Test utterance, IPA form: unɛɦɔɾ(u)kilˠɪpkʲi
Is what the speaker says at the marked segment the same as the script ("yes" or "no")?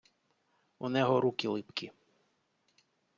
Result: yes